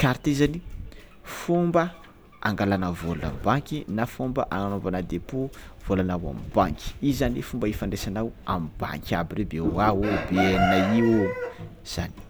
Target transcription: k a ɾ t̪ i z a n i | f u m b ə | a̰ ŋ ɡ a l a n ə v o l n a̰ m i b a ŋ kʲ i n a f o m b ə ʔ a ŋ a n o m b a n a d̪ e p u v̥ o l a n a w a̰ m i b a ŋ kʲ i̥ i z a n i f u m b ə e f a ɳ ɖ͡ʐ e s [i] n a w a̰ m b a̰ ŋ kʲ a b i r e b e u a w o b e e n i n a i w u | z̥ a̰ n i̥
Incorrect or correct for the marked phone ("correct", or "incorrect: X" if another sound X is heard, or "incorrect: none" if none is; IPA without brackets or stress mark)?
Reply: incorrect: a